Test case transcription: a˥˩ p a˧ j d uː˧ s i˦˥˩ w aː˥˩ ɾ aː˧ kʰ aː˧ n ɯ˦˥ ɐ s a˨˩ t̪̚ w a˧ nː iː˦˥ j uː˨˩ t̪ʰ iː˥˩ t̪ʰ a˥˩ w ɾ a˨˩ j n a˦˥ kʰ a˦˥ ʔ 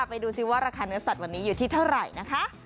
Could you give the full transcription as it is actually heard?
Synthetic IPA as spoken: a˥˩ p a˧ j d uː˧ s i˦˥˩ w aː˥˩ ɾ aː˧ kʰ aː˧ n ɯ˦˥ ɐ s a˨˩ t̪̚ w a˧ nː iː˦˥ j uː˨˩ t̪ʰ iː˥˩ t̪ʰ a˥˩ w ɾ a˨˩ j n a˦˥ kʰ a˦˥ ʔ